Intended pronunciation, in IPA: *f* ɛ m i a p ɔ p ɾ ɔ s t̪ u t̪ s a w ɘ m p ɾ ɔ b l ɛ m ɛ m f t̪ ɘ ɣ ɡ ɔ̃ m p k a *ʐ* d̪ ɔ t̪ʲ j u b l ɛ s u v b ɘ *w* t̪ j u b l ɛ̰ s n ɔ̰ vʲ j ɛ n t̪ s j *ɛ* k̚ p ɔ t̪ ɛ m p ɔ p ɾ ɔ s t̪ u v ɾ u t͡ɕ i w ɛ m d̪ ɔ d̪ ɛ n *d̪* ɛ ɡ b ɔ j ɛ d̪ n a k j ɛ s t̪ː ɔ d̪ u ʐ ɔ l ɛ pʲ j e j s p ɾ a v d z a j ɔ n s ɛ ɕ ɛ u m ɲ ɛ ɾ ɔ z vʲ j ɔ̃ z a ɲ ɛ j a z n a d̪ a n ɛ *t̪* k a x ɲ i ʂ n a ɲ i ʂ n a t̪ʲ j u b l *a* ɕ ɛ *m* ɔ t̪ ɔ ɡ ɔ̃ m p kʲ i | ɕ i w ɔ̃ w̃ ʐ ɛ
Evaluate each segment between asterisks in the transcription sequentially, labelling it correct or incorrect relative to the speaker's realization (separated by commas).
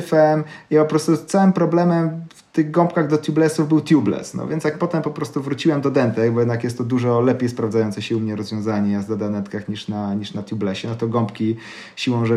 correct, incorrect, correct, incorrect, incorrect, correct, incorrect, incorrect